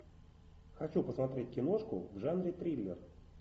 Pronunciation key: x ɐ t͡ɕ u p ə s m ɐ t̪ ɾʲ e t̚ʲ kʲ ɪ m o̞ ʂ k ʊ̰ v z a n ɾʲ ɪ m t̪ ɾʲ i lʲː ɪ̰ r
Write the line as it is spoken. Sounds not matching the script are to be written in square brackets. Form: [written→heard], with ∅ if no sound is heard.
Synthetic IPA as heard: x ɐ t͡ɕ u p ə s m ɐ t̪ ɾʲ e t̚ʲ kʲ ɪ [m→n] o̞ ʂ k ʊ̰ v [z→ʐ] a n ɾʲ ɪ [m→∅] t̪ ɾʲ i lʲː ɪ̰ r